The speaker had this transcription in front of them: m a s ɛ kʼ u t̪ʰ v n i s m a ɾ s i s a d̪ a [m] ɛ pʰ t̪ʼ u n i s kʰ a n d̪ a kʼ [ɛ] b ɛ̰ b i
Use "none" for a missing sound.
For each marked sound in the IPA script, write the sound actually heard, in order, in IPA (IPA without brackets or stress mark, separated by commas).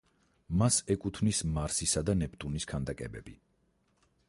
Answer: n, ɛ